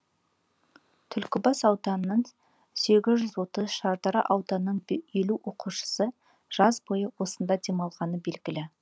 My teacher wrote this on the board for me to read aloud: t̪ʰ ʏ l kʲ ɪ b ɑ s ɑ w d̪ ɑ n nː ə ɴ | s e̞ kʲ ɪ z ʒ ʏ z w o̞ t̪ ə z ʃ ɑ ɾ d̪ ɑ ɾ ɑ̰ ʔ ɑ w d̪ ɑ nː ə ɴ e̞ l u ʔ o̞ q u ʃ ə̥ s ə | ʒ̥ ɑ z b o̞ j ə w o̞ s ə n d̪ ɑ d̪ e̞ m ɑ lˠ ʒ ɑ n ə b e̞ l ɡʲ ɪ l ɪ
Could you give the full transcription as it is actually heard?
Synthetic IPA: t̪ʰ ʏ l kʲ ɪ b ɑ s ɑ w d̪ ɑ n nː ə ɴ | s e̞ ɡʲ ɪ z ʒ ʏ z w o̞ t̪ ə z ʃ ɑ ɾ d̪ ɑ ɾ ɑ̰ ʔ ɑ w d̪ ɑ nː ə ɴ e̞ l u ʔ o̞ q u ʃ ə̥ s ə | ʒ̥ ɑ z b o̞ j ə w o̞ s ə n d̪ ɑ d̪ e̞ m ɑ lˠ ʁ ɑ n ə b e̞ l ɡʲ ɪ l ɪ